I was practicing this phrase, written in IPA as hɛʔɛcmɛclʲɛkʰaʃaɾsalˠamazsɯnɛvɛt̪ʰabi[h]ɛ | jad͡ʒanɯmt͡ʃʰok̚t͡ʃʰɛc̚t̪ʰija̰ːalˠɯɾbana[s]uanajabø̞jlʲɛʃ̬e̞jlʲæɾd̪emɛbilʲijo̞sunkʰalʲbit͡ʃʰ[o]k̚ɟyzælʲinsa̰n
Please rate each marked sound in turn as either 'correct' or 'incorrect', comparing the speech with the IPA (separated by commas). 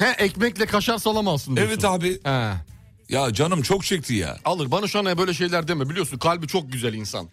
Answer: correct, incorrect, correct